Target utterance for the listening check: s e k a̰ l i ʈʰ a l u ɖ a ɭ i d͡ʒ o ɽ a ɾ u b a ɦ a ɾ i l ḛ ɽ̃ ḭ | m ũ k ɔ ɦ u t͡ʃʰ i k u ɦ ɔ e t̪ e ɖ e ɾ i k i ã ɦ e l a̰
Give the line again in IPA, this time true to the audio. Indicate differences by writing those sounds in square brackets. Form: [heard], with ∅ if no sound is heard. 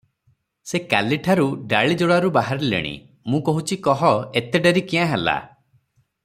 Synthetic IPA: s e k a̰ l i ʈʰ a [ɾ] u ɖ a ɭ i d͡ʒ o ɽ a ɾ u b a ɦ a ɾ i l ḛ ɽ̃ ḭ | m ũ k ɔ ɦ u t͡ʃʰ i k [ɔ] ɦ ɔ e t̪ e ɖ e ɾ i k i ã ɦ e l a̰